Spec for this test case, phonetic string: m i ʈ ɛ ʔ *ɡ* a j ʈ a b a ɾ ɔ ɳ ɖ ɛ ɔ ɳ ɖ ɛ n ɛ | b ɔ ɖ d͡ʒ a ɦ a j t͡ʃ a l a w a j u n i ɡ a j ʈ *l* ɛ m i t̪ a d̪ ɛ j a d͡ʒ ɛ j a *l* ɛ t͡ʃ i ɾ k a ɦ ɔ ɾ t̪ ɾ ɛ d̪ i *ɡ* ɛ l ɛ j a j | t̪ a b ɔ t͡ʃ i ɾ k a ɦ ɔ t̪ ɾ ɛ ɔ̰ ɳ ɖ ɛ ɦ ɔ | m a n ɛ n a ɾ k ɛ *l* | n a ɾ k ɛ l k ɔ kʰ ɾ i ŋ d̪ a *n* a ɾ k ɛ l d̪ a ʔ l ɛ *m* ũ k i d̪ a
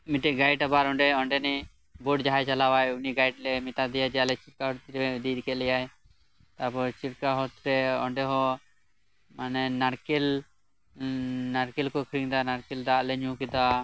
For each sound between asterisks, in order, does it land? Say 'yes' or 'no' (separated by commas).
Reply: yes, yes, yes, no, yes, yes, no